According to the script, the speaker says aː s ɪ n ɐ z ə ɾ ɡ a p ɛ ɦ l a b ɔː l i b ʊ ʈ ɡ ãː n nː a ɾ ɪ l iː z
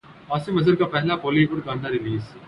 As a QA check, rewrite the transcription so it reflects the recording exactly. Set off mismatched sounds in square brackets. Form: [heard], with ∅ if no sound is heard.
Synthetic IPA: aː s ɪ [m] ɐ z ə ɾ [k] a p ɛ ɦ l a [p] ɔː l i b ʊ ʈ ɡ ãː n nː a ɾ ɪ l iː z